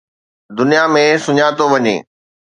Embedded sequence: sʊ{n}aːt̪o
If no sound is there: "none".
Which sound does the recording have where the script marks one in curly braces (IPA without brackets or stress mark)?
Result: ɲ